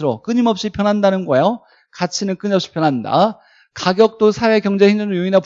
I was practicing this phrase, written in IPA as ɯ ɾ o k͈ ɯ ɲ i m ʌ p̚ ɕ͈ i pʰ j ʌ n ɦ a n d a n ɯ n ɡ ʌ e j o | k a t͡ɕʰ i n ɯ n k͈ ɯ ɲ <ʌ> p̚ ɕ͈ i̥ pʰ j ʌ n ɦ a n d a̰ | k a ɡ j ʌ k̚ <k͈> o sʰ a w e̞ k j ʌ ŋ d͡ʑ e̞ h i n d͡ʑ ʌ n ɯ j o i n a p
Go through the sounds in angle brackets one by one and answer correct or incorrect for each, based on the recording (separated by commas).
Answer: correct, incorrect